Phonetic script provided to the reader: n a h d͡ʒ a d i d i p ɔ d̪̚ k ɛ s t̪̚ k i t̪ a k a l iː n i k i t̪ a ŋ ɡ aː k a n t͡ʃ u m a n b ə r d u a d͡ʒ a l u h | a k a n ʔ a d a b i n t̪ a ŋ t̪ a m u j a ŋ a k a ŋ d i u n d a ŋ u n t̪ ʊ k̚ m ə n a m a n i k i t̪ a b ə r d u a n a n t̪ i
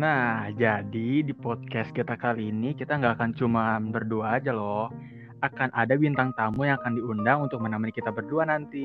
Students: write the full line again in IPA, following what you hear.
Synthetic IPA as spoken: n a h d͡ʒ a d i d i p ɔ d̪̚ k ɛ s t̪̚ k i t̪ a k a l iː n i k i t̪ a ŋ ɡ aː k a n t͡ʃ u m a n b ə r d u a d͡ʒ a l ɔ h | a k a n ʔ a d a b i n t̪ a ŋ t̪ a m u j a ŋ a k a n d i u n d a ŋ u n t̪ ʊ k̚ m ə n a m a n i k i t̪ a b ə r d u a n a n t̪ i